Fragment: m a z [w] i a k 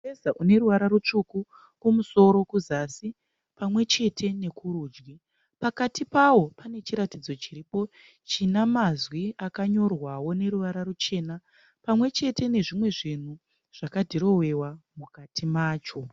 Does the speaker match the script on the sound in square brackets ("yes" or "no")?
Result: yes